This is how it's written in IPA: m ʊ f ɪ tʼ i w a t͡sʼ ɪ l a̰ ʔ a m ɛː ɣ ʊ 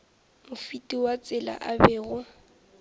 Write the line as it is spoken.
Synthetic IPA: m ʊ f i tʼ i w a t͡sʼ ɪ l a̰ ʔ a b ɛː ɣ ʊ